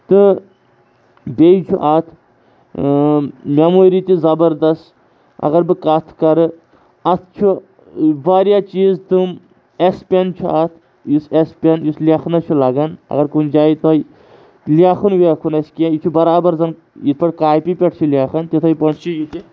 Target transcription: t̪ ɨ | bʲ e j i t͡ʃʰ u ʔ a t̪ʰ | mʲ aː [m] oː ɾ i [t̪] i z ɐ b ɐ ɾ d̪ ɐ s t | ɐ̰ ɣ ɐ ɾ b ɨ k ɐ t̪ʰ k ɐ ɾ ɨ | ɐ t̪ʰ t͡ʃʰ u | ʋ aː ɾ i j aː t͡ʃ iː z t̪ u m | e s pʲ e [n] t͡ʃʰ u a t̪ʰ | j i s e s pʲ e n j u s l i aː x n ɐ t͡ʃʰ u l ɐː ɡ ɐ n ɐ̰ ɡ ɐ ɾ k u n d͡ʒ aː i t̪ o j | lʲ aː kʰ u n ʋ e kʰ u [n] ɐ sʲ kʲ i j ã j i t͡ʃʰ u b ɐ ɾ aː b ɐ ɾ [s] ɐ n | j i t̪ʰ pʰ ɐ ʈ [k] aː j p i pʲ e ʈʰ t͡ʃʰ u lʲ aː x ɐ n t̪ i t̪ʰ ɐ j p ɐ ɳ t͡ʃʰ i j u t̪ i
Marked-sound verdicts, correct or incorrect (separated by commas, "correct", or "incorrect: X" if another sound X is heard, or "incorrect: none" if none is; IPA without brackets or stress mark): correct, correct, correct, correct, incorrect: z, correct